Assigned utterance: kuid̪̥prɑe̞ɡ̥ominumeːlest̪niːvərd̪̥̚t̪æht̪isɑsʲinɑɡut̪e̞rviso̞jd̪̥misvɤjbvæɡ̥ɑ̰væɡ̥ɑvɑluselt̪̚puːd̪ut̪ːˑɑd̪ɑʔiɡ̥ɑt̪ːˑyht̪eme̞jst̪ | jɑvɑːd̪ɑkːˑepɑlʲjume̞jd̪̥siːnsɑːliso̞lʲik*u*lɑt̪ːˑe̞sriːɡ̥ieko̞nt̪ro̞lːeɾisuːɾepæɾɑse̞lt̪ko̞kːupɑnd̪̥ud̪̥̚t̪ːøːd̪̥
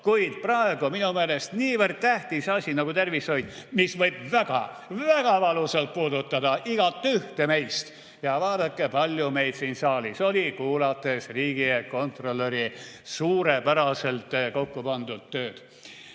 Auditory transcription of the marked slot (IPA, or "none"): uː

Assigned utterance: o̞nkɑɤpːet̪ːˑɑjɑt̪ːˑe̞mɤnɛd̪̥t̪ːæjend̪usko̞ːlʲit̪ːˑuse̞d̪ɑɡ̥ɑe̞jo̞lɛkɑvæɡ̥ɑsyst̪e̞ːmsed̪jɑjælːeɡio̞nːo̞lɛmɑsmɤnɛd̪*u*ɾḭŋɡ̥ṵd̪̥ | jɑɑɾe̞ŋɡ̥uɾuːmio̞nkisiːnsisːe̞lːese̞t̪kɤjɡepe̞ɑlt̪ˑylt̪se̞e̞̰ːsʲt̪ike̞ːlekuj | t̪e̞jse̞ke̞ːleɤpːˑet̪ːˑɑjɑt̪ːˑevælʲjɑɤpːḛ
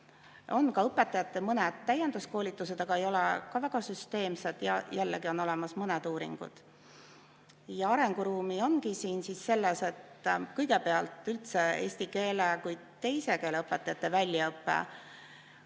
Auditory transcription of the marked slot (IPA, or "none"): uː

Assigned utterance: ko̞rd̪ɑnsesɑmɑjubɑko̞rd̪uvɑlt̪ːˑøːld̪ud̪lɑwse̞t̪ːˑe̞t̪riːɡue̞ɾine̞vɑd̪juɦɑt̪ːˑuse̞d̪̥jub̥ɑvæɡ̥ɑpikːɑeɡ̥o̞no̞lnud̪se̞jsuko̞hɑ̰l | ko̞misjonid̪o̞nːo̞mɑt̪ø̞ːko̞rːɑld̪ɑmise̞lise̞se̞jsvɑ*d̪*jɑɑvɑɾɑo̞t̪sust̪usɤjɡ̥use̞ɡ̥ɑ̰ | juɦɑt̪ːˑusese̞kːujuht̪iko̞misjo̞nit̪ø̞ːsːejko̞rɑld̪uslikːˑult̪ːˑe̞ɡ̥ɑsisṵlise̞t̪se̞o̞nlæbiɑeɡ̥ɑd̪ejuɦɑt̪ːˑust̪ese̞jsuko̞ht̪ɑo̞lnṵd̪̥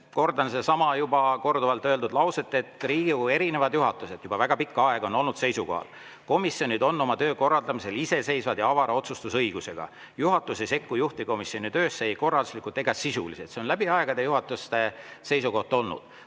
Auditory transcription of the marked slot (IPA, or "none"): d̪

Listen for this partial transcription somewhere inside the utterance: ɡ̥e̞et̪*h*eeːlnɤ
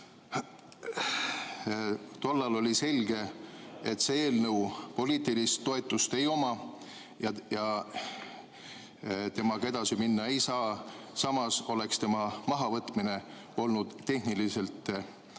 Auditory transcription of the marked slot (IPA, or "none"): s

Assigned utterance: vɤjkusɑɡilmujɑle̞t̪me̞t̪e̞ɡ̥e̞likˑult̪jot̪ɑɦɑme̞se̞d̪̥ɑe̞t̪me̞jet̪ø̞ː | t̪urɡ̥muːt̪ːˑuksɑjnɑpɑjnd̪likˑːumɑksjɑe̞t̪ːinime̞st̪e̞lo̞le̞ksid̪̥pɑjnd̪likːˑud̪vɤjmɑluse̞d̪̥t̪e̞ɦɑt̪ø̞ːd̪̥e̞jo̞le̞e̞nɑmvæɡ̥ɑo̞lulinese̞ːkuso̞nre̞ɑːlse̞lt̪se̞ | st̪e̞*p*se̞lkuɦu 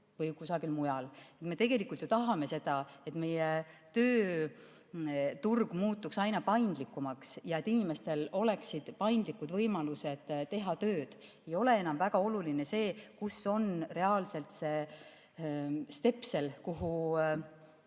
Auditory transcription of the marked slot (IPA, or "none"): p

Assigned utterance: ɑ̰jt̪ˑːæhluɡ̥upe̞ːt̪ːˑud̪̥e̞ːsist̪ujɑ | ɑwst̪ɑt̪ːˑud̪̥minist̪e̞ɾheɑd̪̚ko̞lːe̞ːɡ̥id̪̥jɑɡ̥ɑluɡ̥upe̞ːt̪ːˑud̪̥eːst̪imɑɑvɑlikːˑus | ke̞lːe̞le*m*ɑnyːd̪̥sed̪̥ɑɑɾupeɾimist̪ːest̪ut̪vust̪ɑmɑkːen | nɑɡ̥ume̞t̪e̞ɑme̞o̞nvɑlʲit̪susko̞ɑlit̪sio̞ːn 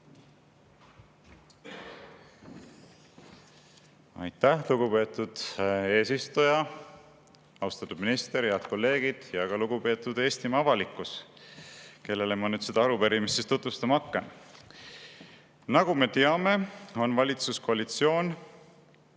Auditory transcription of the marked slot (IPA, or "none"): m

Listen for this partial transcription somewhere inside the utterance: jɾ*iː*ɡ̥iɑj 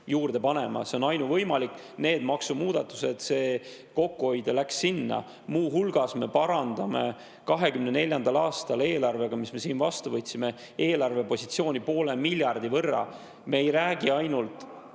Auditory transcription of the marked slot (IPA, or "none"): æː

